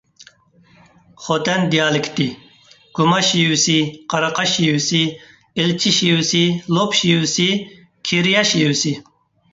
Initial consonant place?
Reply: uvular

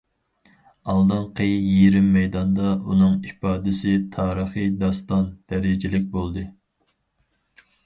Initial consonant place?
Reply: alveolar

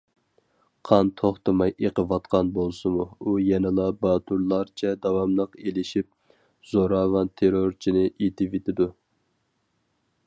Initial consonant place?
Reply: uvular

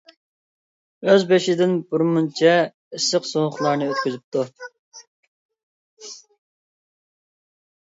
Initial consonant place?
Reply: alveolar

